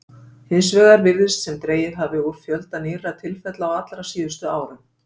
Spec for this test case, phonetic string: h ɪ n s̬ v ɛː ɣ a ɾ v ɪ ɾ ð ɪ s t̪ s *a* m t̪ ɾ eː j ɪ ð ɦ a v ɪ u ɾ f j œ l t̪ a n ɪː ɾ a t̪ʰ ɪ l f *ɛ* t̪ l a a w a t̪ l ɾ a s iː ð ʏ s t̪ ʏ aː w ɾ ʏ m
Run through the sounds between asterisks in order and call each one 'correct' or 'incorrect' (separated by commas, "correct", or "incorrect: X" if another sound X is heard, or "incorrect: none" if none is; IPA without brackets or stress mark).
incorrect: ɛ, correct